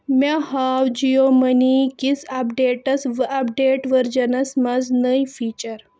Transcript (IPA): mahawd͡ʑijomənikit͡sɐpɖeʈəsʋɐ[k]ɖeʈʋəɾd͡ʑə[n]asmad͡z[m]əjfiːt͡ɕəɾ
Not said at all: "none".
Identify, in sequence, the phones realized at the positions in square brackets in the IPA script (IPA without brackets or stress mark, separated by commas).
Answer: p, n, n